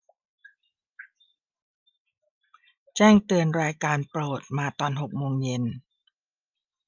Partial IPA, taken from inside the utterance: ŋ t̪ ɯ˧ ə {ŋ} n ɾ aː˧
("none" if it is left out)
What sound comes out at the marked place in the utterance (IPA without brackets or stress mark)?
none